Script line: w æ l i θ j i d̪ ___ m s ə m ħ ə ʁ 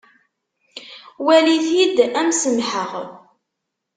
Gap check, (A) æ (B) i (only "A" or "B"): A